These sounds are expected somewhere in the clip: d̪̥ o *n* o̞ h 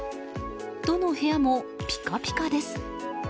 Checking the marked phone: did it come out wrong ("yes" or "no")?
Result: no